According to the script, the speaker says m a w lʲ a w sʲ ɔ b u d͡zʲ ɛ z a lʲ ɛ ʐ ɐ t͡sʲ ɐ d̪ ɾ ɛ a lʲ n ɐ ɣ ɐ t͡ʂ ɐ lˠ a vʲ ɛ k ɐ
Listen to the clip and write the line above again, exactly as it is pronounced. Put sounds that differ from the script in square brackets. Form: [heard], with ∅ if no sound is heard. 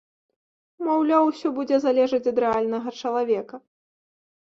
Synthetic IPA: m a w lʲ a w sʲ ɔ b u d͡zʲ ɛ z a lʲ ɛ ʐ ɐ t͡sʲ ɐ d̪ ɾ ɛ a lʲ n ɐ ɣ ɐ t͡ʂ ɐ lˠ a vʲ ɛ k ɐ